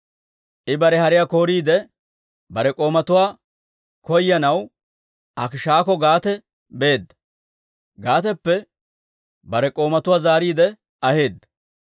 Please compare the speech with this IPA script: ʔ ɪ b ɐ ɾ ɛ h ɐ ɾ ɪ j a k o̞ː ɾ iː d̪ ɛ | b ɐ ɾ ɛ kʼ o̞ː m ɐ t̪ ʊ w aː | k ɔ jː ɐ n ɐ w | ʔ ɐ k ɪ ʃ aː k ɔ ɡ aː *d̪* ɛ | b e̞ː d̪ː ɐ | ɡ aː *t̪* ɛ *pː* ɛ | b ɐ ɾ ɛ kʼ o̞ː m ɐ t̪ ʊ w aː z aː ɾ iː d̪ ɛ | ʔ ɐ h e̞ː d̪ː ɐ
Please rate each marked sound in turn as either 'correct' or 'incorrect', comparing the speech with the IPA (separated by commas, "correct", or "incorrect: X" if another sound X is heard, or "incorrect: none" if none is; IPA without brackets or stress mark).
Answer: incorrect: t̪, correct, correct